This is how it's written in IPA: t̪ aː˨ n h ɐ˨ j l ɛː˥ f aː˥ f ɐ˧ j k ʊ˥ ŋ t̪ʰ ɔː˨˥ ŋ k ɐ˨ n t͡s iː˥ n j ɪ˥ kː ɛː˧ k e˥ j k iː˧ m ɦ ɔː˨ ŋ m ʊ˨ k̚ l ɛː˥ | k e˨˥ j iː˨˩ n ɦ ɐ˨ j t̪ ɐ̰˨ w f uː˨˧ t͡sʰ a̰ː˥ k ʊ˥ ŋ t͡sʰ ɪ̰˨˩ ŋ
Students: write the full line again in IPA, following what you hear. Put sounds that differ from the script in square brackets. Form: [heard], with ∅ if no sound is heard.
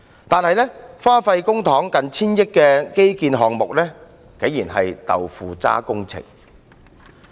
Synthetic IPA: t̪ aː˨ n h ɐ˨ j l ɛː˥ f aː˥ f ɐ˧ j k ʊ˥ ŋ t̪ʰ ɔː˨˥ ŋ k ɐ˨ n [t͡sʰ] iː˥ n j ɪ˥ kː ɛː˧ k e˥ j k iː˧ [n] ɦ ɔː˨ ŋ m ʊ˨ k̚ l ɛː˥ | k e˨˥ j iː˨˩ n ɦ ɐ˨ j t̪ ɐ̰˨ w f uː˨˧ [t͡s] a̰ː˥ k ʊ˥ ŋ t͡sʰ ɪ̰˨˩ ŋ